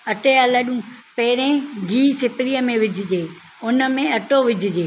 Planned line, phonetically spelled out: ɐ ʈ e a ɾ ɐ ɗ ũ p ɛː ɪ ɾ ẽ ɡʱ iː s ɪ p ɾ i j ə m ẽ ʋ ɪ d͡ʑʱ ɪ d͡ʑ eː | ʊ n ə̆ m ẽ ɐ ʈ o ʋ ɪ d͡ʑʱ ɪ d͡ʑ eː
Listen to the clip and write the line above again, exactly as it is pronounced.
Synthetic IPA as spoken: ɐ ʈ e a l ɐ ɗ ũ p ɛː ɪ ɾ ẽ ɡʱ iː s ɪ p ɾ i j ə m ẽ ʋ ɪ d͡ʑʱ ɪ d͡ʑ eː | ʊ n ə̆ m ẽ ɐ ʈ o ʋ ɪ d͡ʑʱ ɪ d͡ʑ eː